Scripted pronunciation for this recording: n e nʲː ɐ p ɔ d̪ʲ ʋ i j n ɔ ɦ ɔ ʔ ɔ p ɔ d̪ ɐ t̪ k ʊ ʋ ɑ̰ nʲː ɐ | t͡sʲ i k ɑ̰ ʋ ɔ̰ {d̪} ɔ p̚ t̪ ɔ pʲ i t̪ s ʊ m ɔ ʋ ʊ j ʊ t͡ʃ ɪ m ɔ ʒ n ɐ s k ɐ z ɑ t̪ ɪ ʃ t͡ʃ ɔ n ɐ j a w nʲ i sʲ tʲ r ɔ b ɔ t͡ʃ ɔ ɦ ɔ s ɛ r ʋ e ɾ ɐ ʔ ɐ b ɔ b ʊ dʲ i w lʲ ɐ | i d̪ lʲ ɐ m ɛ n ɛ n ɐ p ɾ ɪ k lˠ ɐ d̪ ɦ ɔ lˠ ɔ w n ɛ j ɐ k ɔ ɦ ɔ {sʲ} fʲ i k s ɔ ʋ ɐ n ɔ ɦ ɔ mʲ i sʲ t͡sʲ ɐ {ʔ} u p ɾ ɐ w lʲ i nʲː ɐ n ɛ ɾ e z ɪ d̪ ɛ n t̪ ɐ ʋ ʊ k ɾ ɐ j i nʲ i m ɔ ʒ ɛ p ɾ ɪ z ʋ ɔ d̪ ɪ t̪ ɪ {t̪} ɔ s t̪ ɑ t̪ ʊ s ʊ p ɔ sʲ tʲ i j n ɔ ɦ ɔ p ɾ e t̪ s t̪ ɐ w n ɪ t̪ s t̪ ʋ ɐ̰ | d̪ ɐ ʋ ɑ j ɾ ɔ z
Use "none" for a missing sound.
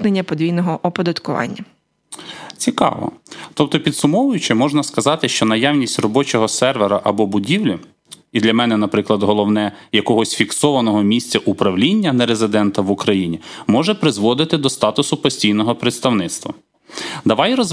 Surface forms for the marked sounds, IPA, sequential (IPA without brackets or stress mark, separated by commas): t̪, sʲ, ʔ, d̪